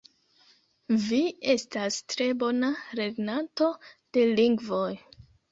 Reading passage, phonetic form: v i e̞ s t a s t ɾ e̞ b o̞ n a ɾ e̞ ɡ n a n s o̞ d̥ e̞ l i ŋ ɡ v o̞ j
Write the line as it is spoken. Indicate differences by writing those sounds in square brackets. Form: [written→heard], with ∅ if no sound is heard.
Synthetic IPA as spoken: v i e̞ s t a s t ɾ e̞ b o̞ n a ɾ e̞ ɡ n a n [s→t] o̞ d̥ e̞ l i ŋ ɡ v o̞ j